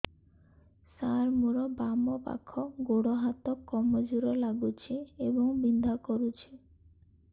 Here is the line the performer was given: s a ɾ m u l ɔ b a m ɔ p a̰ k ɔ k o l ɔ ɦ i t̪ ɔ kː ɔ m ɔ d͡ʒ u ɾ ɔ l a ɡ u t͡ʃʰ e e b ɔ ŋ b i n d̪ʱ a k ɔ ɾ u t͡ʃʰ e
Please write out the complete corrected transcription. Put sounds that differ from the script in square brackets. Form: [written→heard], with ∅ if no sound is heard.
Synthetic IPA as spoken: s a ɾ m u [l→ɾ] ɔ b a m ɔ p a̰ [k→kʰ] ɔ [k→ɡ] o [l→ɽ] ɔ ɦ [i→a] t̪ ɔ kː ɔ m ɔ d͡ʒ u ɾ ɔ l a ɡ u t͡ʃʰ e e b ɔ ŋ b i n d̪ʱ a k ɔ ɾ u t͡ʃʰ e